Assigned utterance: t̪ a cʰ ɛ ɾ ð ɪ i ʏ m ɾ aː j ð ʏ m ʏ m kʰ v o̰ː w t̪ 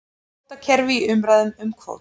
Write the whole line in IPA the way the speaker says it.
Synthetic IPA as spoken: t̪ a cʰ ɛ ɾ v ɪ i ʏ m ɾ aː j ð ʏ m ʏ m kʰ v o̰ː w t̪